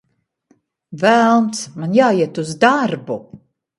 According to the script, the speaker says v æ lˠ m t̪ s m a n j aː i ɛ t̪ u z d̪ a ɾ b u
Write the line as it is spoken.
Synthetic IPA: v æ lˠ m t̪ s m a n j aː i ɛ t̪ u z d̪ a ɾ b u